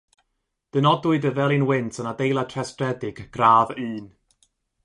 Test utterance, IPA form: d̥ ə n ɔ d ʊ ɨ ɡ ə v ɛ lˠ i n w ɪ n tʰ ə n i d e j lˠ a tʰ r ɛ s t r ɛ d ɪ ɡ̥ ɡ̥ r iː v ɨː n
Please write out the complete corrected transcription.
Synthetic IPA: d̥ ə n ɔ d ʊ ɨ d ə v ɛ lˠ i n w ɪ n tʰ ə n a d e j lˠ a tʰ r ɛ s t r ɛ d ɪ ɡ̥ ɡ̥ r aː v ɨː n